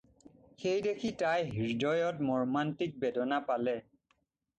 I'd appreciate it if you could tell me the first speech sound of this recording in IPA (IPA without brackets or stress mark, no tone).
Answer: x